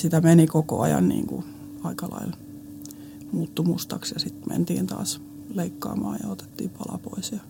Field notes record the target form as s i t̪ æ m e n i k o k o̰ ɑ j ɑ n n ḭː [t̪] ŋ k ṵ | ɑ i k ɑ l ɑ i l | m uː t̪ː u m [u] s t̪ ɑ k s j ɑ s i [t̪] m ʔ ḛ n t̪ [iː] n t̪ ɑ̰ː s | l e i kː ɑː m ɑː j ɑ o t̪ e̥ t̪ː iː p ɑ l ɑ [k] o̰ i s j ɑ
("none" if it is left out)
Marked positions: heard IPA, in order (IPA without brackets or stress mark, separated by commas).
none, u, t̪, iː, p